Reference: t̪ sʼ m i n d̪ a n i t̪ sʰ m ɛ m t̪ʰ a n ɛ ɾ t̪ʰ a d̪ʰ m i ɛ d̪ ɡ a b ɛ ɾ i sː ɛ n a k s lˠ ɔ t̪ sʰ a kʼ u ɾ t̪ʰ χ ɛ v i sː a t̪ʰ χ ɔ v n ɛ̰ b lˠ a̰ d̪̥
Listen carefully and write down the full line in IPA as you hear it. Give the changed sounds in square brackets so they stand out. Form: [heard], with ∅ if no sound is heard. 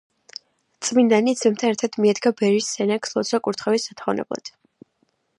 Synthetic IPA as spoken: t̪ sʼ m i n d̪ a n i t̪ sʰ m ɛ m t̪ʰ a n ɛ ɾ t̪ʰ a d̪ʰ m i ɛ d̪ ɡ a b ɛ ɾ i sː ɛ n a k s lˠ ɔ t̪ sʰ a kʼ u ɾ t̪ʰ χ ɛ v i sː a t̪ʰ χ ɔ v n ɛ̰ b lˠ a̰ d̪̥